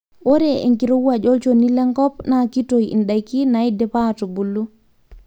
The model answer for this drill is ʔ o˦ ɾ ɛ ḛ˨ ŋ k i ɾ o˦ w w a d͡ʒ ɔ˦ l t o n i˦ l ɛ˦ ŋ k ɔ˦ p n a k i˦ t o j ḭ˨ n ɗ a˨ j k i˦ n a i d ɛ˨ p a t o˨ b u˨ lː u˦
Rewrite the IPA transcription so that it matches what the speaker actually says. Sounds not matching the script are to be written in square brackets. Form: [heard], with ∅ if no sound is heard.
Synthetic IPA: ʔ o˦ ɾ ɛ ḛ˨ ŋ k i ɾ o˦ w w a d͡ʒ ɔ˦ l [t͡ʃ] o n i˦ l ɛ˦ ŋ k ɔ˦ p n a k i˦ t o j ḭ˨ n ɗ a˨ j k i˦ n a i d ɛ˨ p a t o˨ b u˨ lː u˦